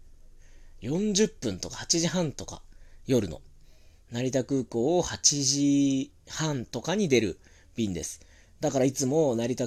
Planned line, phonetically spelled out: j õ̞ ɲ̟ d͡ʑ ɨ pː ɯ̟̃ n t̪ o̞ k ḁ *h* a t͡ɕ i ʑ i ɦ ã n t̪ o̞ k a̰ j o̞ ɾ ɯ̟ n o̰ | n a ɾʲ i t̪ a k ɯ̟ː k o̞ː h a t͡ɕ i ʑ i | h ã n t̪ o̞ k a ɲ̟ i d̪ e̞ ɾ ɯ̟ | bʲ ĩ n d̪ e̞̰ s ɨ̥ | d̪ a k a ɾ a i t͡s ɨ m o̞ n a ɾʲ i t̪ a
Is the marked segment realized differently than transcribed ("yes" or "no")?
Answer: no